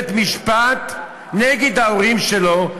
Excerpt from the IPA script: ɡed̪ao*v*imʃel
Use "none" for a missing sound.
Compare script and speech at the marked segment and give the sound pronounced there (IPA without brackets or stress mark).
ʁ